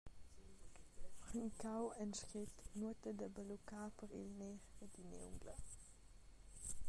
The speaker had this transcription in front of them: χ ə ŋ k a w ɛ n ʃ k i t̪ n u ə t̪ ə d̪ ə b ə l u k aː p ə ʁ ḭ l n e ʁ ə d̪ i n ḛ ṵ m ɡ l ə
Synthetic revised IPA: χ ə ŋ k a w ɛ n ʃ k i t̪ n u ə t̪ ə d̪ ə b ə l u k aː p ə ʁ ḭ l n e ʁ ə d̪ i n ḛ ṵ ŋ ɡ l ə